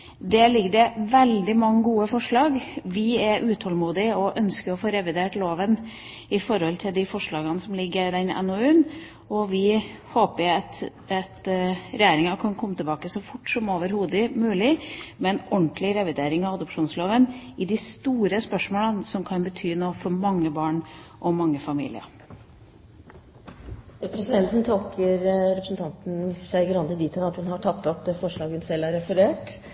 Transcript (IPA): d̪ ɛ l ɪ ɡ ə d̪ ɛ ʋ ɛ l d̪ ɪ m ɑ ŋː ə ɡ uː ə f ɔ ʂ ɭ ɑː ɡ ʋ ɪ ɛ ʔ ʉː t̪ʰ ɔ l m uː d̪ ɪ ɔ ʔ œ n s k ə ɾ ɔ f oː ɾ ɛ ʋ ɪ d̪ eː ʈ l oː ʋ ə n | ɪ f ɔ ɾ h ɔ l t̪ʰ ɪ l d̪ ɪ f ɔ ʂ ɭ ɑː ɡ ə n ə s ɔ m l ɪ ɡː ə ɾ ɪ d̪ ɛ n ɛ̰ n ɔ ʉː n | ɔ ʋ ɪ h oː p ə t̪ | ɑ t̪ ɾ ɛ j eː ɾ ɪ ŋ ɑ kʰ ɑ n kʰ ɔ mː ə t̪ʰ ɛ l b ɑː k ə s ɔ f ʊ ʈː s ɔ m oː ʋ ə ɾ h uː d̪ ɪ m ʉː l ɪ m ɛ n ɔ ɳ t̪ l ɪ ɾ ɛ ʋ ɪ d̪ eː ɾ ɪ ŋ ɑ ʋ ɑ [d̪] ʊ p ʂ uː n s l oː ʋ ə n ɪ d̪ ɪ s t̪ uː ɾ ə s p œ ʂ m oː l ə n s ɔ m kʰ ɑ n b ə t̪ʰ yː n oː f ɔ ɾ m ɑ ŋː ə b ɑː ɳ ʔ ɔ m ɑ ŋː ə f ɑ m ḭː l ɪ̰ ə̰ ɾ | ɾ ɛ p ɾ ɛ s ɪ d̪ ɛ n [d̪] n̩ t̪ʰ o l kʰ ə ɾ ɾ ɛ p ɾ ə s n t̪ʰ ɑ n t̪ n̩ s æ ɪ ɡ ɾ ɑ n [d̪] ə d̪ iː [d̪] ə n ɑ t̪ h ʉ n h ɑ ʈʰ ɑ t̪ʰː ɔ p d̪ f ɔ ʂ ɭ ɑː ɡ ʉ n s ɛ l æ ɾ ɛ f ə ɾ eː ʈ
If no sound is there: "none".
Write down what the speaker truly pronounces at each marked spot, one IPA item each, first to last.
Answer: d̪, t̪, d̪, t̪

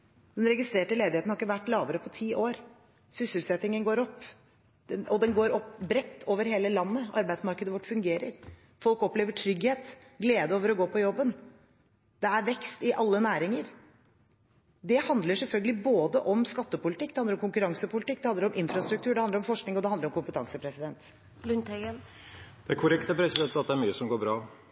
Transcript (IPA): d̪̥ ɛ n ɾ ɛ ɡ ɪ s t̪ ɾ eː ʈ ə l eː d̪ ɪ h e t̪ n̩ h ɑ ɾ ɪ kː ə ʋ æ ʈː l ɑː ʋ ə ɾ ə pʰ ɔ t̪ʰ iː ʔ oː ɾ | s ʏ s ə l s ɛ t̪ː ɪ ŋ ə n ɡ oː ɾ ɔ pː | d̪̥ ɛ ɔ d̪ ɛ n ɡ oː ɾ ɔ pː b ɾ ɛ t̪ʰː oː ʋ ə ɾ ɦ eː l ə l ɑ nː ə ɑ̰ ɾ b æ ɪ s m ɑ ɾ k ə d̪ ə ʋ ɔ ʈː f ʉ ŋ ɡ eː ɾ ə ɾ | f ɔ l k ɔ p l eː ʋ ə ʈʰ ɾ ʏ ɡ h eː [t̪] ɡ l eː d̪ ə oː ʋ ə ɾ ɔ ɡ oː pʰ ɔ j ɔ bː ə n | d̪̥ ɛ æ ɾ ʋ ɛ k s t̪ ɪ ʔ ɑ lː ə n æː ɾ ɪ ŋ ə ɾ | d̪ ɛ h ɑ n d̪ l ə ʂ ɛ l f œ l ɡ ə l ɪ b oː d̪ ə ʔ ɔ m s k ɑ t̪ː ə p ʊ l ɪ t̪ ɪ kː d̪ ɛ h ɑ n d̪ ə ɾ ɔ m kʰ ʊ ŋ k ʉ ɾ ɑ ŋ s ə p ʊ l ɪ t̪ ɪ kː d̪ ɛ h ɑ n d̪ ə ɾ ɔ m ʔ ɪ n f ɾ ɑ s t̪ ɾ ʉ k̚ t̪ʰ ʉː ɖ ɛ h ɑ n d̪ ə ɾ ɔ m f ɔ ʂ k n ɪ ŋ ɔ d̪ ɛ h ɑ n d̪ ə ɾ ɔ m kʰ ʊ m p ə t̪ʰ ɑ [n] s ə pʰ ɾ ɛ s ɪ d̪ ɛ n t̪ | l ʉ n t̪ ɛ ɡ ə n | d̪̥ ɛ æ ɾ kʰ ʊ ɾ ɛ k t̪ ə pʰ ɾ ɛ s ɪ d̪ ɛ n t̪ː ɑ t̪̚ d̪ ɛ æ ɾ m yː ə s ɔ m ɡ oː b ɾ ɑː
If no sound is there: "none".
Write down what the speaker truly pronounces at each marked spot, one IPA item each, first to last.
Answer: t̪, ŋ

